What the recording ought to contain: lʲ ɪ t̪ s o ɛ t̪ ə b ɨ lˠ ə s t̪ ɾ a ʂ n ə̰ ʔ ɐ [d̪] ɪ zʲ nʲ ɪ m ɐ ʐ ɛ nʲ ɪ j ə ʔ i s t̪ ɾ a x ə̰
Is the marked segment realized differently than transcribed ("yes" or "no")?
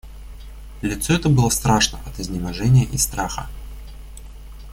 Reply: yes